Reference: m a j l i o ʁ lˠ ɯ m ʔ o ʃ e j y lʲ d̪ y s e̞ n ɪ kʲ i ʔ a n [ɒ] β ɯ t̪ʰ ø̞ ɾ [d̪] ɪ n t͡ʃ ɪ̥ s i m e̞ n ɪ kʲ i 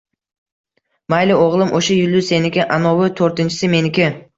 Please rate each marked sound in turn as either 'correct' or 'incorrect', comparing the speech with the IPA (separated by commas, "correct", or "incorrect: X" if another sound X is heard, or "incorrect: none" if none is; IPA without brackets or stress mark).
incorrect: o, incorrect: t̪